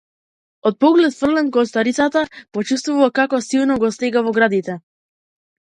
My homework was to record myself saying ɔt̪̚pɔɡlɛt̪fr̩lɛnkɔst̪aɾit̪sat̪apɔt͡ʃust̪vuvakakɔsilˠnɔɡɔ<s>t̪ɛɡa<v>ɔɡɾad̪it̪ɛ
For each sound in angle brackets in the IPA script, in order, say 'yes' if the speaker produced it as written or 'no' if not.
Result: yes, yes

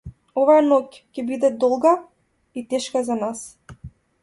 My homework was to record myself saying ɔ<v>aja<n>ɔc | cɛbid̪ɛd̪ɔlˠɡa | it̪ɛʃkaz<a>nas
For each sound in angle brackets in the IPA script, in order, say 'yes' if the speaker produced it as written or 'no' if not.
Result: yes, yes, yes

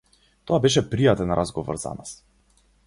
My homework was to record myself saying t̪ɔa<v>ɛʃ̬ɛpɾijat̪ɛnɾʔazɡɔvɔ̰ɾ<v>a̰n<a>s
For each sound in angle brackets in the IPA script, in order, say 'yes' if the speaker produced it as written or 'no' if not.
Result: no, no, yes

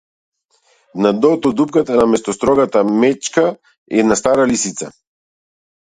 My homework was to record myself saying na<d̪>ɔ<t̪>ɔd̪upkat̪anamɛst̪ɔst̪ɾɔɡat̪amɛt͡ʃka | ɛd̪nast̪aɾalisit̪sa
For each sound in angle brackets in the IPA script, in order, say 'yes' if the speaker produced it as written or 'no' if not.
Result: yes, yes

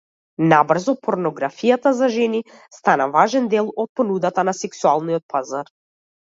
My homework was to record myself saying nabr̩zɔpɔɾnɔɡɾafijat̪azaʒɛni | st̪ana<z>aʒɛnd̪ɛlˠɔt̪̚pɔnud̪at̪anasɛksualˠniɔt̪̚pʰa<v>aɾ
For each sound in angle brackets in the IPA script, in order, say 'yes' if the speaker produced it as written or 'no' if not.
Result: no, no

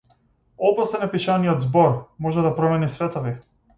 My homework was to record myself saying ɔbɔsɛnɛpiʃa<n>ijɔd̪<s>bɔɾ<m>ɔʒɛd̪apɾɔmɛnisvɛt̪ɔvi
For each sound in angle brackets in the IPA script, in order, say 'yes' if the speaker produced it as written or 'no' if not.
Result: yes, no, yes

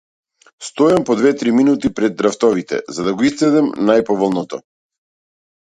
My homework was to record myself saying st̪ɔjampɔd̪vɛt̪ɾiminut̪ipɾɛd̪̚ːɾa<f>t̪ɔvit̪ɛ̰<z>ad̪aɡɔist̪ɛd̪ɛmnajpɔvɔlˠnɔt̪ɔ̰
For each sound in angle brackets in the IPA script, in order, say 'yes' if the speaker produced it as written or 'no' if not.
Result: yes, yes

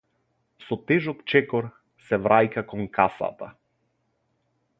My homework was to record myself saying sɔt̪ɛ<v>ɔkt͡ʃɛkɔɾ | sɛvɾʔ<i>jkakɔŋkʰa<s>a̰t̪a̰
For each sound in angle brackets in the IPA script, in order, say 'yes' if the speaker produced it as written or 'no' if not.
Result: no, no, yes

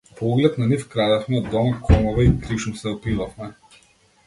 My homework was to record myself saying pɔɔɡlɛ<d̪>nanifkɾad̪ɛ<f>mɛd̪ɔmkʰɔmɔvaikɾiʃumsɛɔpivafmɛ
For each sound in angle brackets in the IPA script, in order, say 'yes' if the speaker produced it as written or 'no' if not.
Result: no, yes

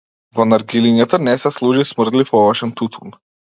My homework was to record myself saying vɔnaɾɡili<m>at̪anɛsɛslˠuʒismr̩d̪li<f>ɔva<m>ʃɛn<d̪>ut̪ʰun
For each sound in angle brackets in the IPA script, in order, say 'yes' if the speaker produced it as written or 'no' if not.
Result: no, yes, no, no

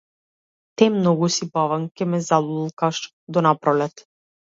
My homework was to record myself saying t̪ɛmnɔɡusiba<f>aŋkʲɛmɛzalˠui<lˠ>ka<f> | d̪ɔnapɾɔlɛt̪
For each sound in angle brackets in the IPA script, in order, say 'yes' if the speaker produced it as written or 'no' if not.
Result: no, yes, no

